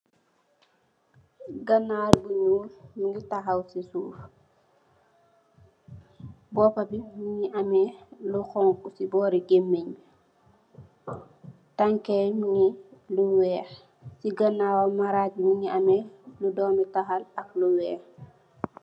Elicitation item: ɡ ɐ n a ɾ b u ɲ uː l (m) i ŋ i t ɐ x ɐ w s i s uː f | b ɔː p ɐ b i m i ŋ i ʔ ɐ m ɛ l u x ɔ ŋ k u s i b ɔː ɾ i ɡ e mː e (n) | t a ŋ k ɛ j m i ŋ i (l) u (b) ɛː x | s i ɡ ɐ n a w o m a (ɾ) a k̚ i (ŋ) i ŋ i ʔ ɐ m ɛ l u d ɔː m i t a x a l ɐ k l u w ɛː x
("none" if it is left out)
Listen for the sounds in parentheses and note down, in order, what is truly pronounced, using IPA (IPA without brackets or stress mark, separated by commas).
m, ɲ, l, w, ɾ, m